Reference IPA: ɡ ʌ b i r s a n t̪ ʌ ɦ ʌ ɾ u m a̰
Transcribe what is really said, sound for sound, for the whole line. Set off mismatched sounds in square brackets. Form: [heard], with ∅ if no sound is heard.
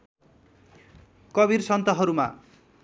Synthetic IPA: [k] ʌ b i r s [ʌ] n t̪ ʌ ɦ ʌ ɾ u m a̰